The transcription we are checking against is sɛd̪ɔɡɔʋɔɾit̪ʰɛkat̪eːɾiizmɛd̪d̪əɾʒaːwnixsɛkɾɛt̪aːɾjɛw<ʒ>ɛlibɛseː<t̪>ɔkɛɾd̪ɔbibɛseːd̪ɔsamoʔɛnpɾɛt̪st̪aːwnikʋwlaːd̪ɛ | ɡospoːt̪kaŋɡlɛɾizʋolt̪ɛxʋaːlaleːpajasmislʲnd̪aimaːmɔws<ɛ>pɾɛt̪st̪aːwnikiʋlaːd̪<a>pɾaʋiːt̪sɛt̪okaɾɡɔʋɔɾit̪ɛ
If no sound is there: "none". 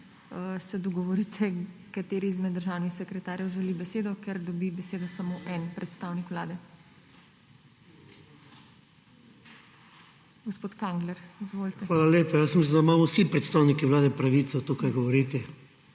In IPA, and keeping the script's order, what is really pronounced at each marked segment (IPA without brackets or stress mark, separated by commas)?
ʒ, d̪, i, ɛ